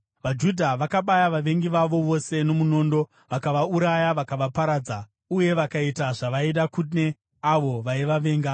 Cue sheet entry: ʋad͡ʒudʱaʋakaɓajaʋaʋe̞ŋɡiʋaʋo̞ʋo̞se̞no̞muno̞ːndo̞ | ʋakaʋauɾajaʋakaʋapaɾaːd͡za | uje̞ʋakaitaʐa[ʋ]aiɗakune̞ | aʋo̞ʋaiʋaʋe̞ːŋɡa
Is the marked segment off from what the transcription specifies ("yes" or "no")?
no